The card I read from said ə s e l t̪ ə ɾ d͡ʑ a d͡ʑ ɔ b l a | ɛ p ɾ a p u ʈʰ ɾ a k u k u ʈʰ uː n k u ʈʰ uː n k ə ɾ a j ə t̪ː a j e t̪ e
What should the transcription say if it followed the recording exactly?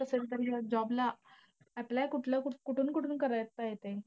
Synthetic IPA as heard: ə s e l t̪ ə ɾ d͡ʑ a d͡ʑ ɔ b l a | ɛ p l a k u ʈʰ l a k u k u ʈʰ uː n k u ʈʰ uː n k ə ɾ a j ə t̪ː a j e t̪ e

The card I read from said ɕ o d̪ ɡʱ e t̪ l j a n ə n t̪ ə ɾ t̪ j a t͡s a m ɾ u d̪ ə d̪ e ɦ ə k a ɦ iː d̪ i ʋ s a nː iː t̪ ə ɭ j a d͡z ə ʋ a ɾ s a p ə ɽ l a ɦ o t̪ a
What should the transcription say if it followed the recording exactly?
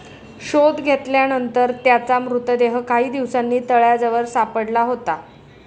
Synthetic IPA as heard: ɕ o d̪ ɡʱ e t̪ l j a n ə n t̪ ə ɾ t̪ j a t͡s a m ɾ u t̪ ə d̪ e ɦ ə k a ɦ iː d̪ i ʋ s a nː iː t̪ ə ɭ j a d͡z ə ʋ ə ɾ s a p ə ɽ l a ɦ o t̪ a

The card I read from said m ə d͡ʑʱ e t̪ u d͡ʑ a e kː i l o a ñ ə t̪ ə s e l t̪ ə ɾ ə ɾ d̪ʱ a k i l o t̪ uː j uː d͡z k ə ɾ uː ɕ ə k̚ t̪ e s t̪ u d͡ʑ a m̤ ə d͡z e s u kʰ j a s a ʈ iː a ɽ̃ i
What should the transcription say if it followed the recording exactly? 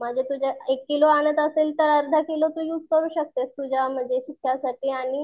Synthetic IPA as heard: m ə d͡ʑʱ e t̪ u d͡ʑ a e kː i l o a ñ ə t̪ ə s e l t̪ ə ɾ ə ɾ d̪ʱ a k i l o t̪ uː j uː d͡z k ə ɾ uː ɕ ə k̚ t̪ e s t̪ u d͡ʑ a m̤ ə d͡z e s u kʰ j a s a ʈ iː a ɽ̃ i

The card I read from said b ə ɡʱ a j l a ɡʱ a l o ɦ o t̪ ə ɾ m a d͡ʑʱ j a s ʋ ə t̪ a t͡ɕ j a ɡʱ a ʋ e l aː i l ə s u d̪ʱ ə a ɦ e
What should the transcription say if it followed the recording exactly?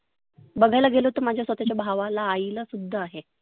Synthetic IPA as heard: b ə ɡʱ a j l a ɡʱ e l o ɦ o t̪ ə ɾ m a d͡ʑʱ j a s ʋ ə t̪ a t͡ɕ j a bʱ a ʋ a l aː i l ə s u d̪ʱː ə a ɦ e

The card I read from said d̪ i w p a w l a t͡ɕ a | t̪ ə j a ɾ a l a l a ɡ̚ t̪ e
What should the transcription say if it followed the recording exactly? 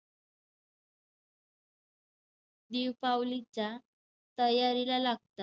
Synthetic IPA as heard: d̪ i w p a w l i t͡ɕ a | t̪ ə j a ɾ i l a l a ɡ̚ t̪ a

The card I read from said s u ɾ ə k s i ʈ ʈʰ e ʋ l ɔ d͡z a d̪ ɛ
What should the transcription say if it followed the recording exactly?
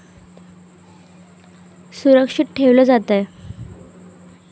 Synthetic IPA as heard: s u ɾ ə k ʂ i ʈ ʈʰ e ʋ l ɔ d͡z a t̪ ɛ

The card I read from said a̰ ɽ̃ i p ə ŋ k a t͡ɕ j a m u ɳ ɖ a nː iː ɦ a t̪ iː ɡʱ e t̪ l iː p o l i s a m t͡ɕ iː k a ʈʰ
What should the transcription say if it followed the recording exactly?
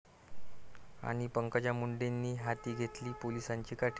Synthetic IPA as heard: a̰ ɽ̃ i p ə ŋ k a t͡ɕ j a m u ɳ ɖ e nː iː ɦ a t̪ iː ɡʱ e t̪ l iː p o l i s a ɲ t͡ɕ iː k a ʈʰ

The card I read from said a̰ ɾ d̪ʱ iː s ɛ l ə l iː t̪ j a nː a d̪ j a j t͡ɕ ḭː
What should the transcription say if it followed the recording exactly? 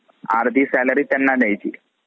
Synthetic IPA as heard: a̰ ɾ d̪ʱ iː s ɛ l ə ɾ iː t̪ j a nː a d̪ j a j t͡ɕ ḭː

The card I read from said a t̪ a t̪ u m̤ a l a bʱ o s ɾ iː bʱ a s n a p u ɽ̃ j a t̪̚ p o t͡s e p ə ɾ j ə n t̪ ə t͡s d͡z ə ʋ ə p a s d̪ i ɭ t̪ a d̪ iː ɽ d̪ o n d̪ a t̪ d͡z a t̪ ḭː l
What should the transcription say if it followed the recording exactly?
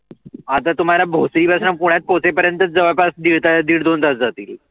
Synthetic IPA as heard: a t̪ a t̪ u m̤ a l a bʱ o s ɾ iː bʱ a s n a p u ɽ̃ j a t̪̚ p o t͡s e p ə ɾ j ə n t̪ ə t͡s d͡z ə ʋ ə p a s d̪ i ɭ t̪ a d̪ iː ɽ d̪ o n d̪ a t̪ d͡z a t̪ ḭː l

